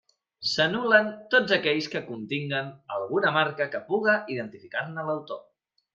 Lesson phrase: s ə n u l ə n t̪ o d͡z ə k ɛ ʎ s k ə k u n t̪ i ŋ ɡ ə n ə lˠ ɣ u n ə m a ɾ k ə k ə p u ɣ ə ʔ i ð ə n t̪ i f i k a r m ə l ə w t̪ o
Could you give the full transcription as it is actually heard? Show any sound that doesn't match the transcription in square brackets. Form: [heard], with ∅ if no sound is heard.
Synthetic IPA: s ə n u l ə n t̪ o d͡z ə k ɛ ʎ s k ə k u n t̪ i ŋ ɡ ə n ə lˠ ɣ u n ə m a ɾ k ə k ə p u ɣ ə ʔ i ð ə n t̪ i f i k a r [n] ə l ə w t̪ o